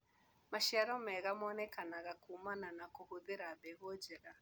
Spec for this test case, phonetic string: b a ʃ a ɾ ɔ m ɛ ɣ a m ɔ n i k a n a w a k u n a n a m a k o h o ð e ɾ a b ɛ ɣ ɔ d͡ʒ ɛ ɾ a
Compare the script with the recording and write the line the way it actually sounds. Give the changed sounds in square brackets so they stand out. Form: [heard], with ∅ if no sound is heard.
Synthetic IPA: [m] a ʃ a ɾ ɔ m ɛ ɣ a m ɔ n [ɛ] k a n a [ɣ] a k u [m] a n a [n] a k o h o ð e ɾ a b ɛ ɣ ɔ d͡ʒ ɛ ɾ a